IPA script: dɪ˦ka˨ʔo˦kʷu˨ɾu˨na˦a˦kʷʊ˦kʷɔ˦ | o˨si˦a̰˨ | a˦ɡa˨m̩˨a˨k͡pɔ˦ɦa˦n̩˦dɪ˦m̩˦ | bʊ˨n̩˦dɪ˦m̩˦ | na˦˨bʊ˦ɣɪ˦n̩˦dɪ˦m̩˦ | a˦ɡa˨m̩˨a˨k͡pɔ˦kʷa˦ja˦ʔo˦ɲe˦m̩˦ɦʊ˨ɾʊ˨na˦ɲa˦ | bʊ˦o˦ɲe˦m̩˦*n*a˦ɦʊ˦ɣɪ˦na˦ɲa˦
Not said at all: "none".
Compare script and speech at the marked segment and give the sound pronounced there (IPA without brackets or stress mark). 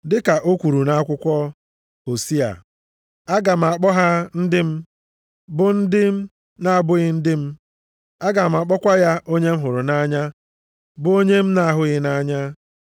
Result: n